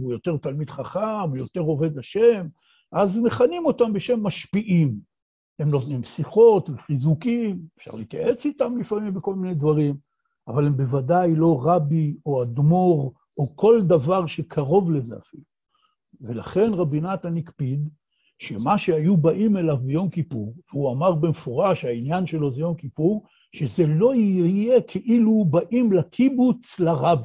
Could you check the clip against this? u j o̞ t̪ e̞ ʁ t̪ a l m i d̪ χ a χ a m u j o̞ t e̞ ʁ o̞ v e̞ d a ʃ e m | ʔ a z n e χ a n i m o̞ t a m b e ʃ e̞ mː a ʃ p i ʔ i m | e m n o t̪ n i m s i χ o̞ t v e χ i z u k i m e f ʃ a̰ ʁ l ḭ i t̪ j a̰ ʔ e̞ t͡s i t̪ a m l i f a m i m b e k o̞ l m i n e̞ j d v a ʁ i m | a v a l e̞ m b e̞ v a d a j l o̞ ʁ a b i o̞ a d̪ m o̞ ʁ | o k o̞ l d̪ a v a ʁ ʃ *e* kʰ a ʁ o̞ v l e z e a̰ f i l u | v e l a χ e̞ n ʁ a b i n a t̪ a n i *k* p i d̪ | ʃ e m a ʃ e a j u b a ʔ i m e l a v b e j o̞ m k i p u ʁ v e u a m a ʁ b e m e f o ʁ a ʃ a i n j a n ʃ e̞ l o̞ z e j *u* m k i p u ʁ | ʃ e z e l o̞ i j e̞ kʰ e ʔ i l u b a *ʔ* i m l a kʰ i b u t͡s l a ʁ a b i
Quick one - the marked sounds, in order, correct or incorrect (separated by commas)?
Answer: correct, correct, incorrect, correct